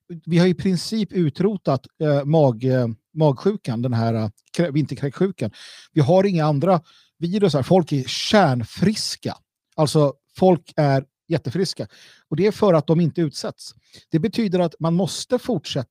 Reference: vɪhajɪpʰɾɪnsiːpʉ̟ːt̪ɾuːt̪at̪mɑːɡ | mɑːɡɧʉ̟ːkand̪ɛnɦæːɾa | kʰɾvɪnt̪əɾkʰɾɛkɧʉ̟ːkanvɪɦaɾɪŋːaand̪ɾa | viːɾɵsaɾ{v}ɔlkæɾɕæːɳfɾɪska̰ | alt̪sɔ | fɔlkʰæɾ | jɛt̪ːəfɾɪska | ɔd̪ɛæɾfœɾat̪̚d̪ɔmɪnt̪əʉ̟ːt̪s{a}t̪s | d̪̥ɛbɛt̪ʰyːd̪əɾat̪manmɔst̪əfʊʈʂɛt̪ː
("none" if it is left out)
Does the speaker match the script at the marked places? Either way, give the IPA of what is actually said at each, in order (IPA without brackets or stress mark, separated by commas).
f, ɛ